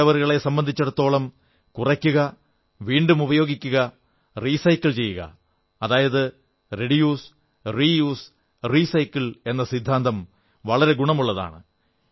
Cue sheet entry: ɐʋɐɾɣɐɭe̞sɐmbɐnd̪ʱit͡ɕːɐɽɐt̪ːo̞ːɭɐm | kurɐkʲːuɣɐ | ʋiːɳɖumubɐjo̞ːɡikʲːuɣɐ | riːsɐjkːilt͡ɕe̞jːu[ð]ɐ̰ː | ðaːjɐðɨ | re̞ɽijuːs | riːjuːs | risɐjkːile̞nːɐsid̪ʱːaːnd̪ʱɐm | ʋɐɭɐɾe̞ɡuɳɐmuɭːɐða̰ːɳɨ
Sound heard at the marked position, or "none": ɣ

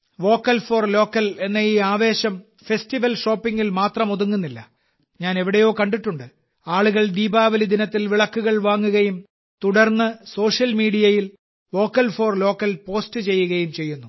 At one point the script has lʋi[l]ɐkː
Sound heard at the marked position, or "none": ɭ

